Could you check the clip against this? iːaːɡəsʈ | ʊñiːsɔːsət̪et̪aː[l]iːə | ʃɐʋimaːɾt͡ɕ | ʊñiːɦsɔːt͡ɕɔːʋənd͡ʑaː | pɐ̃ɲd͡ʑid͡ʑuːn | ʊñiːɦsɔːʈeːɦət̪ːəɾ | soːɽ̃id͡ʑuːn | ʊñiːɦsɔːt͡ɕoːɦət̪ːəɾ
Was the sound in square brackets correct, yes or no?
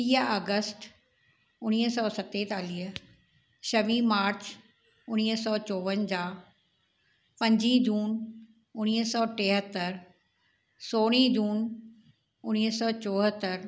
yes